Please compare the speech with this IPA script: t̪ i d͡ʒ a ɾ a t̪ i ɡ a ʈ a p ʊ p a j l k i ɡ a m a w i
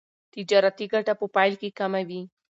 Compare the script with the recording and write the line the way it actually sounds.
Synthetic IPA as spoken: t̪ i d͡ʒ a ɾ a t̪ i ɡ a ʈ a p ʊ p a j l k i k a m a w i